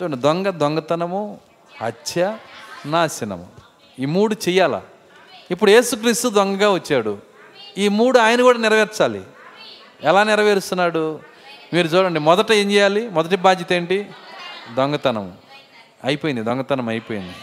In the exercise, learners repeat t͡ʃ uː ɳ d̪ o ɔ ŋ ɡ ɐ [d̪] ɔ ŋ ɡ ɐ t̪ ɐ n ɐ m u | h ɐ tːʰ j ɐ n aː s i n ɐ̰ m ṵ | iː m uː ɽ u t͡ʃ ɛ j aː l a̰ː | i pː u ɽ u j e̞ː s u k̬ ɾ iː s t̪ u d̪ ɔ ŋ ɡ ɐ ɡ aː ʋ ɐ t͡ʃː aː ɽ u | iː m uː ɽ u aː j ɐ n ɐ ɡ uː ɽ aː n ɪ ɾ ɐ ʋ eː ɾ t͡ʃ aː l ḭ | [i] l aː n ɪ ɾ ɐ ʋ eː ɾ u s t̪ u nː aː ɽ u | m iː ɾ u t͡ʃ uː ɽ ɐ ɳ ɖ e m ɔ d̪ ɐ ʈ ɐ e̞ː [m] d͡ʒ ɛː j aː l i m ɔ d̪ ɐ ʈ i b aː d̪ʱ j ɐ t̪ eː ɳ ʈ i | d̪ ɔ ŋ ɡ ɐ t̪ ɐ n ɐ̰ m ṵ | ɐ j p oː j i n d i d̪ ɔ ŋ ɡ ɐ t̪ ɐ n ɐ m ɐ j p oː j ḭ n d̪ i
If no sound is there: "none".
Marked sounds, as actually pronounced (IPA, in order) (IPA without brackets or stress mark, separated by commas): d̪, ɛ, ɲ